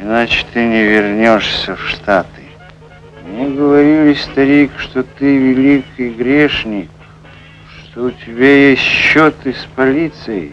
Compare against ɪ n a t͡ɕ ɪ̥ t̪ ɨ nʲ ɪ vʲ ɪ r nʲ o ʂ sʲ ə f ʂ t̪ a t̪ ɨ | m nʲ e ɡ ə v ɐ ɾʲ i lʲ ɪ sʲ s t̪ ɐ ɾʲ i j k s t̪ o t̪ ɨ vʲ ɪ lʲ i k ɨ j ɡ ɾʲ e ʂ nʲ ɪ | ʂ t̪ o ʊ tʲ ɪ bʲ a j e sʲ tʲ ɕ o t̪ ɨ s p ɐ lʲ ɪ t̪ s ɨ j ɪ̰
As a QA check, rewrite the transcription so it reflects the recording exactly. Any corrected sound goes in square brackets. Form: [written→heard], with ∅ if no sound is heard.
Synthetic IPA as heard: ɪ n a t͡ɕ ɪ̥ t̪ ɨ nʲ ɪ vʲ ɪ r nʲ o ʂ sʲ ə f ʂ t̪ a t̪ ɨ | m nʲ e ɡ ə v ɐ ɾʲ i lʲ ɪ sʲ s t̪ ɐ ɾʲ i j k [s→ʂ] t̪ o t̪ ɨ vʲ ɪ lʲ i k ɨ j ɡ ɾʲ e ʂ nʲ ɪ | ʂ t̪ o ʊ tʲ ɪ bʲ a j e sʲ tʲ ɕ o t̪ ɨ s p ɐ lʲ [ɪ→i] t̪ s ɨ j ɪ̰